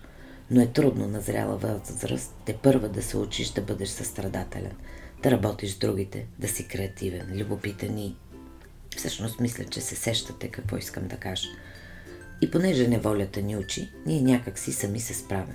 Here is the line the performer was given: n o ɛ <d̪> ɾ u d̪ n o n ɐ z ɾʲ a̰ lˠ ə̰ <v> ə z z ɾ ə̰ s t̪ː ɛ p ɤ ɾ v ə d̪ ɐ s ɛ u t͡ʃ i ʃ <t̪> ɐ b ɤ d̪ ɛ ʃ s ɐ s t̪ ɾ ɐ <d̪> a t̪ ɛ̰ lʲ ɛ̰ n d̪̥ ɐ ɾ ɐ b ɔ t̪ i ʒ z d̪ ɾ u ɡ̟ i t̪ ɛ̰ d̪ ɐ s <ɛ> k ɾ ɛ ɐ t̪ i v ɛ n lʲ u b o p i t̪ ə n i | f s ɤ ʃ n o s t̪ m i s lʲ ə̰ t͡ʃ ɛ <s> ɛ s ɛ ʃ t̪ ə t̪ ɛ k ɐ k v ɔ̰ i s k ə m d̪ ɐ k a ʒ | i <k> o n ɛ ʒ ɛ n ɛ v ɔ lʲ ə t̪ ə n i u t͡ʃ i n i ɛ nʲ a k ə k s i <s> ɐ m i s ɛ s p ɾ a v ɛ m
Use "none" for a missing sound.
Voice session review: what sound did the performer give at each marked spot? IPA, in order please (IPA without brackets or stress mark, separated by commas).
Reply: t̪, v, d̪, d̪, i, s, p, s